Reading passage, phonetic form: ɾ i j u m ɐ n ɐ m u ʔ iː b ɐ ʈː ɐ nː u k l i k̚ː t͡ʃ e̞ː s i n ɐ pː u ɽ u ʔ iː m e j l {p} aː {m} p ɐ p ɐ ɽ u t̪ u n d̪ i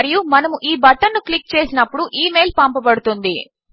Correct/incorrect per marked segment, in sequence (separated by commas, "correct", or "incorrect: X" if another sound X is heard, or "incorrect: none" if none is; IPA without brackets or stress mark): correct, correct